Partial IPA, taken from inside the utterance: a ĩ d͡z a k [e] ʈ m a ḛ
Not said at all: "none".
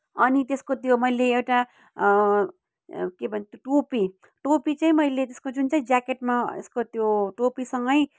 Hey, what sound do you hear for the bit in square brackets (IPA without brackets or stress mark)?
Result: e